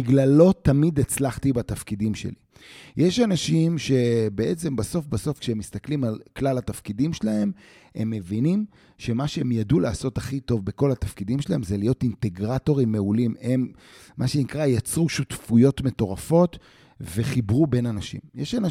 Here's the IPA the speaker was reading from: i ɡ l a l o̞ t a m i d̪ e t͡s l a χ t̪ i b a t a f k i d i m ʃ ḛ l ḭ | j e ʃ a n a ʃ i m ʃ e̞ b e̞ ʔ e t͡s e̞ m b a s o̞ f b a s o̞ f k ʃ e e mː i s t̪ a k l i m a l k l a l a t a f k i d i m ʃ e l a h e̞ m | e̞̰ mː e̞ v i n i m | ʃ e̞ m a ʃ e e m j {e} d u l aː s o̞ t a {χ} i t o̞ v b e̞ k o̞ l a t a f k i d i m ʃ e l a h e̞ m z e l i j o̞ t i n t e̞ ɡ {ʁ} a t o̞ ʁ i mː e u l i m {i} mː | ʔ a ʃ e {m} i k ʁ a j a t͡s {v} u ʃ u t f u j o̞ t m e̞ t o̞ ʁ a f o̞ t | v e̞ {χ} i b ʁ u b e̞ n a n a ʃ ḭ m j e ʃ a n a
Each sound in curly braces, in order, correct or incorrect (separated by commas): incorrect, correct, correct, incorrect, incorrect, incorrect, correct